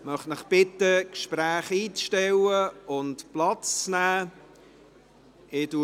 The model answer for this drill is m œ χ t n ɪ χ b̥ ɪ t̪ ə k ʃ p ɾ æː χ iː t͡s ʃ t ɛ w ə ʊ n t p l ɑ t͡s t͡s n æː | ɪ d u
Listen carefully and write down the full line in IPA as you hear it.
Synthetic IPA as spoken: m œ χ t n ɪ χ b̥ ɪ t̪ ə k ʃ p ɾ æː χ iː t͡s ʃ t ɛ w ə ʊ n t p l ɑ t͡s t͡s n æː | ɪ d u